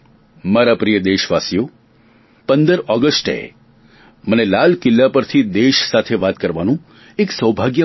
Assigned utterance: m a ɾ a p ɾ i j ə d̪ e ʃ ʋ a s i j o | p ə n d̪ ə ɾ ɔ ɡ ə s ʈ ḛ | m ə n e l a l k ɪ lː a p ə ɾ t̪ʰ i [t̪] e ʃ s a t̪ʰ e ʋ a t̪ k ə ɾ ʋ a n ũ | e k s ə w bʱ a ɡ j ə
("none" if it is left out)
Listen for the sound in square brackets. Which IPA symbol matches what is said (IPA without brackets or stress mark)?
d̪